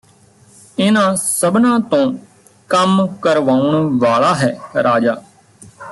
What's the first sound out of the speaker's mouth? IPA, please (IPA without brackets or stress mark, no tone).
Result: ɪ